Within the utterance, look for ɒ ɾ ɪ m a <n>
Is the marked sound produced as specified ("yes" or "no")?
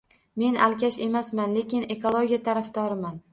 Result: yes